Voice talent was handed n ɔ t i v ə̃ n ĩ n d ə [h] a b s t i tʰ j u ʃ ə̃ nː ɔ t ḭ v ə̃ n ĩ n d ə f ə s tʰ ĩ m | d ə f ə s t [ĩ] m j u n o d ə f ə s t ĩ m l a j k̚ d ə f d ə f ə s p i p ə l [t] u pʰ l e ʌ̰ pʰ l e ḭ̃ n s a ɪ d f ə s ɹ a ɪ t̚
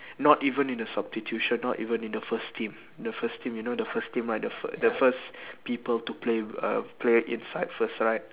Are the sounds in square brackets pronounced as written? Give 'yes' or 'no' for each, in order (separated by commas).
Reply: no, yes, yes